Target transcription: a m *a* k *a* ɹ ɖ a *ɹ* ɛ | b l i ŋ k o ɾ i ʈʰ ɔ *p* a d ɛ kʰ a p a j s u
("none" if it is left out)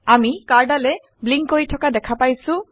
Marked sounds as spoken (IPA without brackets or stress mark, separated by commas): i, a, l, k